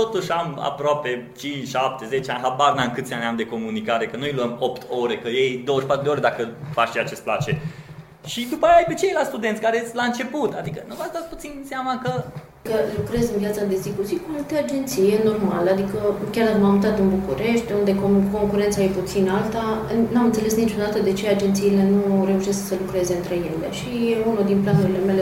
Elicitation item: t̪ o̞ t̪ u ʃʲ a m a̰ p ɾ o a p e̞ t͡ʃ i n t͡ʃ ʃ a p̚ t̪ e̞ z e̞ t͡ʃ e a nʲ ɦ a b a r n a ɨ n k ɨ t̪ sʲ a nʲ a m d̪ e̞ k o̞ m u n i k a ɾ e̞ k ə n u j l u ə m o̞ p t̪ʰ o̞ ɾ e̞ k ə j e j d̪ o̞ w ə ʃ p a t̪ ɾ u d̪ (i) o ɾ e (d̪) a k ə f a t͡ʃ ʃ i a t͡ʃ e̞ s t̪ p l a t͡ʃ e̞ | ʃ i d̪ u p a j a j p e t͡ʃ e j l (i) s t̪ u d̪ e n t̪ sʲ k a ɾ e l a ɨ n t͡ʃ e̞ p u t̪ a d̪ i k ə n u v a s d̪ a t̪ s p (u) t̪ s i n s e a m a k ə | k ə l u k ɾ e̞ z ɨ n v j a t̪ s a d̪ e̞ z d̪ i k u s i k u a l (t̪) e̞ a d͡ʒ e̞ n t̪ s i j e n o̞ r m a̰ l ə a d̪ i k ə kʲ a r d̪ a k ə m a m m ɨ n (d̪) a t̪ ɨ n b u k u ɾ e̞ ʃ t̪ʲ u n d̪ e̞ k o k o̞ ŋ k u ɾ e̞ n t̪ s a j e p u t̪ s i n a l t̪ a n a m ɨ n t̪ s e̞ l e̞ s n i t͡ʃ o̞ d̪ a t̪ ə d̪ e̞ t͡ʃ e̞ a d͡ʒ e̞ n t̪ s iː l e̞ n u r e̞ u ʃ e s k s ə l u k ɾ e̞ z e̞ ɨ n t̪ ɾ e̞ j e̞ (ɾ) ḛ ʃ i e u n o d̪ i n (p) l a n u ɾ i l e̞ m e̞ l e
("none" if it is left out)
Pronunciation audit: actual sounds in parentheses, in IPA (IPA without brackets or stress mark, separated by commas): e, d̪, a, u, t̪, t̪, l, p